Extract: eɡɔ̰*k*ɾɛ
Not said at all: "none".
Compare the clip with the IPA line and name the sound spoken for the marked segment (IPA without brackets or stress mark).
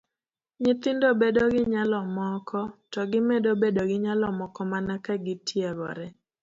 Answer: none